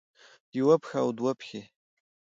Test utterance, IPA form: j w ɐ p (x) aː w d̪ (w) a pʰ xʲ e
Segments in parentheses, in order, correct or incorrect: correct, correct

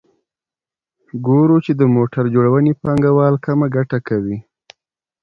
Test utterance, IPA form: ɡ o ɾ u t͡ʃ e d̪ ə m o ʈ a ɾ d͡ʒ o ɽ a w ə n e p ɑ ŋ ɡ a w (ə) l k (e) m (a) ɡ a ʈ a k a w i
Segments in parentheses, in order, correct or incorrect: incorrect: ɑ, incorrect: a, correct

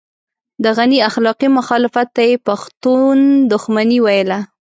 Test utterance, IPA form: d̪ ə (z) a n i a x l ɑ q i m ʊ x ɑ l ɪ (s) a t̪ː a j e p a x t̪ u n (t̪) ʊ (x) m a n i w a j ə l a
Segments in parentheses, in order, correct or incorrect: incorrect: ɣ, incorrect: f, incorrect: d̪, correct

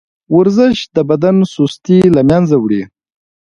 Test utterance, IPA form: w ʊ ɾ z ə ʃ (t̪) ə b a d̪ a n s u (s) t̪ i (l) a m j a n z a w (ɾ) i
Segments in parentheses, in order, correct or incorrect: incorrect: d̪, correct, correct, incorrect: ɽ

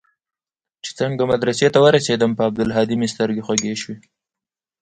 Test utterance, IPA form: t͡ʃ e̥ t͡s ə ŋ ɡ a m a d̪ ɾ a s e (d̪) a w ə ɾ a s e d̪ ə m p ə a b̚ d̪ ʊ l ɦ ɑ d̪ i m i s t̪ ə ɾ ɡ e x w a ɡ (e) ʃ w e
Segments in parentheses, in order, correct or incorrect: incorrect: t̪, correct

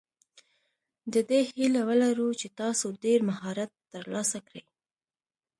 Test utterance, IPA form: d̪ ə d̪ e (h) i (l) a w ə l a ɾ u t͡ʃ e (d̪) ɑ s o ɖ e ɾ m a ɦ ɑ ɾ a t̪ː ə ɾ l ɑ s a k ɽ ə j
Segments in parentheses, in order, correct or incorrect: correct, correct, incorrect: t̪

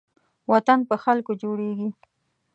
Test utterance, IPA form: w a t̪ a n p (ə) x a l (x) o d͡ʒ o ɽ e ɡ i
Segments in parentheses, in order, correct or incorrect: correct, incorrect: k

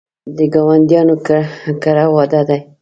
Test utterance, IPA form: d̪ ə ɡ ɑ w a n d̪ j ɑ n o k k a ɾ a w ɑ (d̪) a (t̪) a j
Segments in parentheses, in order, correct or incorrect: correct, incorrect: d̪

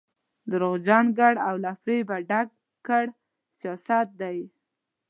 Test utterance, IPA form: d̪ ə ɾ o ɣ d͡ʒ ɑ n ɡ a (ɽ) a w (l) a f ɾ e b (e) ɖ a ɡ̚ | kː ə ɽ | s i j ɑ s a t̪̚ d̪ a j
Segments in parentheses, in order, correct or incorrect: correct, correct, incorrect: a

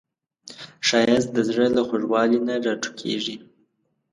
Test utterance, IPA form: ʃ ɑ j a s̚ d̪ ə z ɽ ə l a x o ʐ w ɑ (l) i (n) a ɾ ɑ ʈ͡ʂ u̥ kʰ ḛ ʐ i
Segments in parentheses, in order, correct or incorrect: correct, correct

